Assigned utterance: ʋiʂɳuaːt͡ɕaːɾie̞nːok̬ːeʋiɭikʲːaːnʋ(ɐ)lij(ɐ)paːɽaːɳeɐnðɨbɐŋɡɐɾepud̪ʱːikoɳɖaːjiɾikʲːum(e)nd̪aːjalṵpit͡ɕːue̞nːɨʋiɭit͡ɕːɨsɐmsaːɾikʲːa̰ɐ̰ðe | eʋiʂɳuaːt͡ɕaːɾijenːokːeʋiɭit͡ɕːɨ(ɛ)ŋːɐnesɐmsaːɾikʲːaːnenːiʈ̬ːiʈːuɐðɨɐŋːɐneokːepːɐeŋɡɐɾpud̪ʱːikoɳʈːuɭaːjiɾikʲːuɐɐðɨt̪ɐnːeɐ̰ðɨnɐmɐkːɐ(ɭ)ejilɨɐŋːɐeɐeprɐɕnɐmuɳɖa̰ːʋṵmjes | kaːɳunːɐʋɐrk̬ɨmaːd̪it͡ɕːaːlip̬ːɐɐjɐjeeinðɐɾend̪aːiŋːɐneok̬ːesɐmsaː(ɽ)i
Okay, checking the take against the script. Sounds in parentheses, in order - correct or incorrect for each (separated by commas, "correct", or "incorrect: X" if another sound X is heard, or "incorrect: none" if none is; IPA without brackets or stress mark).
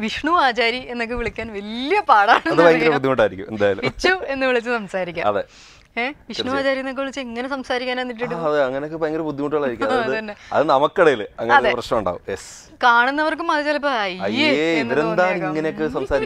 correct, correct, correct, incorrect: e, incorrect: ɽ, incorrect: ɾ